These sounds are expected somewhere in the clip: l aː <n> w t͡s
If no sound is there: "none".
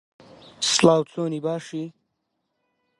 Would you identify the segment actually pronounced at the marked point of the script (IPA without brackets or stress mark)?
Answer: none